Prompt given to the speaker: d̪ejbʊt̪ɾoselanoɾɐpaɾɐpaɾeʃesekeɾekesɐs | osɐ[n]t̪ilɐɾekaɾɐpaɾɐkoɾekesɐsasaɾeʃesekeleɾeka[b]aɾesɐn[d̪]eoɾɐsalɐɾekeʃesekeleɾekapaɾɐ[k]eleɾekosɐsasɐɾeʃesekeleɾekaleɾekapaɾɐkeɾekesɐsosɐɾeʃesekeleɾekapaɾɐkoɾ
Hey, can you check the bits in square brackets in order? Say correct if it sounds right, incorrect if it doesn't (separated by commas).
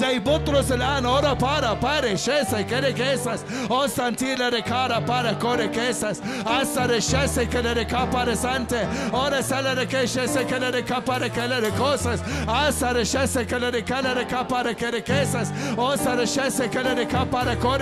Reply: correct, incorrect, incorrect, correct